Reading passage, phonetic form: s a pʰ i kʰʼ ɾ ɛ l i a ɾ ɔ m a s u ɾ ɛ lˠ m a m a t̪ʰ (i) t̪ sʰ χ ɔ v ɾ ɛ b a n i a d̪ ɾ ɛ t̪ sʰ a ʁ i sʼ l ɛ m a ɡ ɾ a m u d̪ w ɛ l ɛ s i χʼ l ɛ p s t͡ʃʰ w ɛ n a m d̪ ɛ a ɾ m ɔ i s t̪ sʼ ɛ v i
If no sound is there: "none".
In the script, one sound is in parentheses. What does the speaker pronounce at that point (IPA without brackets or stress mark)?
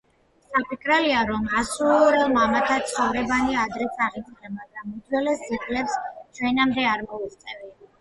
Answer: a